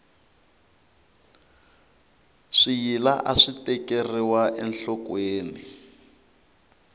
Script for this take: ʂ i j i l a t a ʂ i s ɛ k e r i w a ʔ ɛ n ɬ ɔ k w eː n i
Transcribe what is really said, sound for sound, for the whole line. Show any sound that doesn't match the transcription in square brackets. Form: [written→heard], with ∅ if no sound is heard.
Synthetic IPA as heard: ʂ i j i l a [t→ʔ] a ʂ i [s→t] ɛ k e r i w a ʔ ɛ n ɬ ɔ k w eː n i